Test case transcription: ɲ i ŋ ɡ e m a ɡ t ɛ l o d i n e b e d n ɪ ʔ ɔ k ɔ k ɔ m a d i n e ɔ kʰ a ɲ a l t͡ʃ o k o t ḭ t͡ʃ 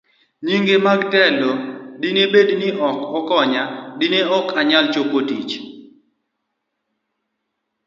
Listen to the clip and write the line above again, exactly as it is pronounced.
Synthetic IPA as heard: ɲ i ŋ ɡ e m a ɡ t ɛ l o d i n e b e d n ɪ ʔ ɔ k ɔ k ɔ ɲ a d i n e ɔ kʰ a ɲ a l t͡ʃ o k o t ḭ t͡ʃ